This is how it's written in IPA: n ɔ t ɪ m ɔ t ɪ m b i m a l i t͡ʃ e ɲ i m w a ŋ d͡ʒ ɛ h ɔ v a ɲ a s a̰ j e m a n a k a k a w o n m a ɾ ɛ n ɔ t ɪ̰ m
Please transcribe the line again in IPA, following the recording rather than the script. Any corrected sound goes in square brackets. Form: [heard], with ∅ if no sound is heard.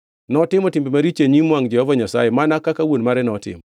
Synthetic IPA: n ɔ t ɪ m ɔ t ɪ m b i m a [ɾ] i t͡ʃ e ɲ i m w a ŋ d͡ʒ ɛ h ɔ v a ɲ a s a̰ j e m a n a k a k a w o n m a ɾ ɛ n ɔ t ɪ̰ m